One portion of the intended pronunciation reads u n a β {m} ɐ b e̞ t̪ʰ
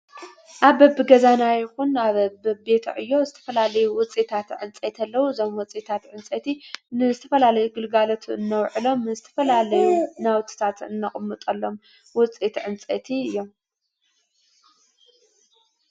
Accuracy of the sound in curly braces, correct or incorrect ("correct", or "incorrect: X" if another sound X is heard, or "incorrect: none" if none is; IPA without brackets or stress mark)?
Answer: incorrect: b